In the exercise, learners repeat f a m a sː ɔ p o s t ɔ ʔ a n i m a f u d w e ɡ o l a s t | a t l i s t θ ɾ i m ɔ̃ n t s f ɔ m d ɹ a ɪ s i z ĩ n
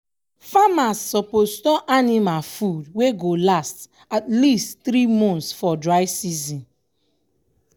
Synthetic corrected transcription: f a m a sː ɔ p o s t ɔ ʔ a n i m a f u d w e ɡ o l a s t | a t l i s t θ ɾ i m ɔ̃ n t s f ɔ d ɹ a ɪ s i z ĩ n